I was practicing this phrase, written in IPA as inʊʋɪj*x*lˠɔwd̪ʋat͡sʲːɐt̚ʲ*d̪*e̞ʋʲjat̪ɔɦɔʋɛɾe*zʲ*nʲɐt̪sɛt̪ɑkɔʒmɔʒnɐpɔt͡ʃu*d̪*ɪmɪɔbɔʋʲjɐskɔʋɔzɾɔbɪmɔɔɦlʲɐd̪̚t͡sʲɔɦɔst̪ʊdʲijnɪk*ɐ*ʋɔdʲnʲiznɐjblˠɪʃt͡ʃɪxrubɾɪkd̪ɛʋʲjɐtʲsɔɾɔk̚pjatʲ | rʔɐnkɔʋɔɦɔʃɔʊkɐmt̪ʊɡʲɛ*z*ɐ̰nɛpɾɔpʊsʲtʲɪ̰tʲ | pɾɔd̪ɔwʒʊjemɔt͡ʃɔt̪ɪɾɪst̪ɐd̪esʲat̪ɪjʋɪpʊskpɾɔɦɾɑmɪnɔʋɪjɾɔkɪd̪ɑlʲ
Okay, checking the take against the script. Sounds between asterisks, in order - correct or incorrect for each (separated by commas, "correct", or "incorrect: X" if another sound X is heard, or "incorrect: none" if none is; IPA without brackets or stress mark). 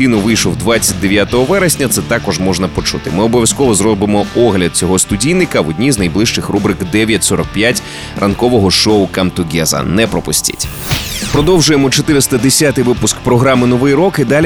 incorrect: ʃ, correct, incorrect: sʲ, incorrect: t̪, correct, correct